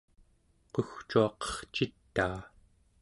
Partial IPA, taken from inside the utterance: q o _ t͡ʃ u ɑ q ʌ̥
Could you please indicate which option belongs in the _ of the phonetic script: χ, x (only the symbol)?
x